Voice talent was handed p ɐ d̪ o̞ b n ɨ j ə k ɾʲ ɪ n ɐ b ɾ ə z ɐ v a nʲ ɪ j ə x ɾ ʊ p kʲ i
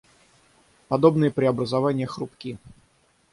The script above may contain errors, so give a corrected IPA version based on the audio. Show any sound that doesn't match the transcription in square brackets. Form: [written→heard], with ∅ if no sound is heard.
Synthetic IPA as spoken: p ɐ d̪ o̞ b n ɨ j ə [k→p] ɾʲ ɪ [n→∅] ɐ b ɾ ə z ɐ v a nʲ ɪ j ə x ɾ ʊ p kʲ i